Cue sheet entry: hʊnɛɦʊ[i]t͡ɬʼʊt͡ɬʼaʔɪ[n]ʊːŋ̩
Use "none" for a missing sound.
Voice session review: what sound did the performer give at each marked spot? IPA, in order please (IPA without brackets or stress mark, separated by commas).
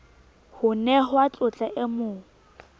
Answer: a, m